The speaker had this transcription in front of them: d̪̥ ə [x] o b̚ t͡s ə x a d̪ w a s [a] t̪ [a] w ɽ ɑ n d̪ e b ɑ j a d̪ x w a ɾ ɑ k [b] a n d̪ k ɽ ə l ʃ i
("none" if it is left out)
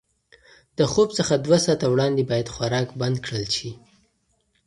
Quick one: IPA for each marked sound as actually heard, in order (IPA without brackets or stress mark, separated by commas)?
x, ɑ, a, b